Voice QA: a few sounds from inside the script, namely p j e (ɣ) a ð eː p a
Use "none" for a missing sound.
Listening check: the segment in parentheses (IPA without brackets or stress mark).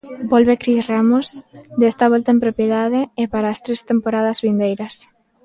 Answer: ð